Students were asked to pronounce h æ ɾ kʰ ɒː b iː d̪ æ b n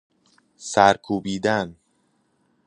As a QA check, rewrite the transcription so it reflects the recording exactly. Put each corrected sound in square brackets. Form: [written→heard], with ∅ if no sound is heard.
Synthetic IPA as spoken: [h→s] æ ɾ kʰ [ɒː→uː] b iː d̪ æ [b→∅] n